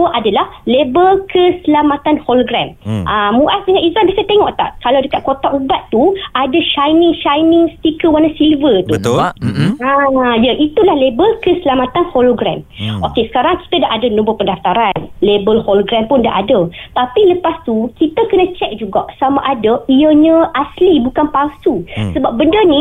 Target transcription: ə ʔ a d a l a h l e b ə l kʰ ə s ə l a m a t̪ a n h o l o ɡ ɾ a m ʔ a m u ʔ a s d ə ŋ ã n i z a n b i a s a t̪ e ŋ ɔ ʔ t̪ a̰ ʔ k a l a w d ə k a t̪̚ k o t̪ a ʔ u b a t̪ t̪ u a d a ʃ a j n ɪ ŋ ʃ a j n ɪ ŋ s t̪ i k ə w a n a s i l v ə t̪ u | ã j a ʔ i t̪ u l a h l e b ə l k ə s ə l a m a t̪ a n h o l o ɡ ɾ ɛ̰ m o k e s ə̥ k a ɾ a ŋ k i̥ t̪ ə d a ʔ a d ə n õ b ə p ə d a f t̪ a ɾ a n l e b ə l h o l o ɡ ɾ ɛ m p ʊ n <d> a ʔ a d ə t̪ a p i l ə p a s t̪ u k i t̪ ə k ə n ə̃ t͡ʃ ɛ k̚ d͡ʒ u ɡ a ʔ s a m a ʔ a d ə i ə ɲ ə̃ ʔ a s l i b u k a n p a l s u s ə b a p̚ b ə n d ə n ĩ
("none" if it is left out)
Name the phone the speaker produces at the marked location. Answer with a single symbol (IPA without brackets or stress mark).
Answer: d